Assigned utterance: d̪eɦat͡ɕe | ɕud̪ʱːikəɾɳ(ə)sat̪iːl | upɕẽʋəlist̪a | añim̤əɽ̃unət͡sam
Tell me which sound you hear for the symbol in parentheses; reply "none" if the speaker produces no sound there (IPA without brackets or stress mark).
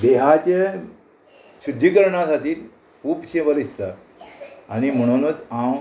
a